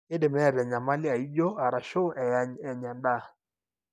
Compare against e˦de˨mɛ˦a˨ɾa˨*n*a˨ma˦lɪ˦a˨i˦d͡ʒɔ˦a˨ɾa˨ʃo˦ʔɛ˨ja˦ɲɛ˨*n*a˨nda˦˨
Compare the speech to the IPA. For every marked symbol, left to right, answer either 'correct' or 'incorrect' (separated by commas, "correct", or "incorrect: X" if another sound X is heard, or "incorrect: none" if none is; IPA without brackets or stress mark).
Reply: incorrect: ɲ, incorrect: ɲ